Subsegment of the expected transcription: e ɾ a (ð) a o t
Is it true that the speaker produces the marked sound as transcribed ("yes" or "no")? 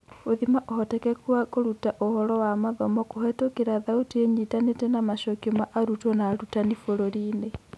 yes